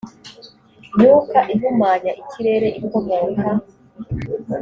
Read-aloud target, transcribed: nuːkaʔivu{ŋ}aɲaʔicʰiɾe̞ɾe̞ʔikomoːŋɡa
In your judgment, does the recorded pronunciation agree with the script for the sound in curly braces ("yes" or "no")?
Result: no